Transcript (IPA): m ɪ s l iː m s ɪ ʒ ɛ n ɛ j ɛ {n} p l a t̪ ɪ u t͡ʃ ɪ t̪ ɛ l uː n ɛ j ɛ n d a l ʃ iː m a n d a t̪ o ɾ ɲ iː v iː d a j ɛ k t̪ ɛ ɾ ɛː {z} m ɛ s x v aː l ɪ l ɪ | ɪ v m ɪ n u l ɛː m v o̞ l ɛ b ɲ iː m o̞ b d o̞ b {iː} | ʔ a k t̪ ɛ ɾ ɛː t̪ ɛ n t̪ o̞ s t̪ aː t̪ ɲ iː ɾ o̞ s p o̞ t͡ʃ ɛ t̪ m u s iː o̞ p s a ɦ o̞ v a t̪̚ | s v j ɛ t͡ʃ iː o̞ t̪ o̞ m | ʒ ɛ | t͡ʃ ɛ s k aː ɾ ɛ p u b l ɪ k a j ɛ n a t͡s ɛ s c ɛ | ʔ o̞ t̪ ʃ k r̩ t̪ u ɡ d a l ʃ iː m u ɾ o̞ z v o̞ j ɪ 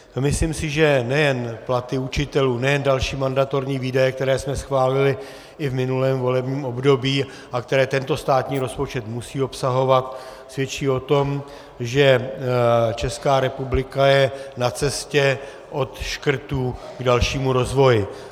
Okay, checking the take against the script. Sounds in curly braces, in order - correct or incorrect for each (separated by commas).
correct, incorrect, correct